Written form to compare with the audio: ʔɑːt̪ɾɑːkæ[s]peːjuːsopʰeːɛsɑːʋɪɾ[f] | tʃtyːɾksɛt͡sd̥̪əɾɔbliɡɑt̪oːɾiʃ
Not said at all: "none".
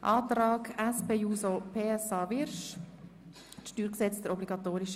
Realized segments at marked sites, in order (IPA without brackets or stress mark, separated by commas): s, ʃ